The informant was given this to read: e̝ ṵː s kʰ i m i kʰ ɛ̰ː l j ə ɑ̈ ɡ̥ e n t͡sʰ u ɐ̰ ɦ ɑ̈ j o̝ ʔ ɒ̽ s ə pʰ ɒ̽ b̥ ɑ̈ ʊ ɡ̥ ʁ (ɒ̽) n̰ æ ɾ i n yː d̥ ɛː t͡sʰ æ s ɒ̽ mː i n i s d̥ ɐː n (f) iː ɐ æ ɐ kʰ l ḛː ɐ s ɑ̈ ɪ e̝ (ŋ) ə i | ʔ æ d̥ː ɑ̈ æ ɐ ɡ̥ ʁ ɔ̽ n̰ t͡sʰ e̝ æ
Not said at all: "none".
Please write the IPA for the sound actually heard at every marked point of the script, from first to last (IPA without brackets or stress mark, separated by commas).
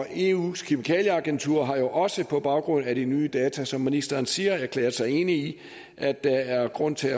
ɔ̽, s, n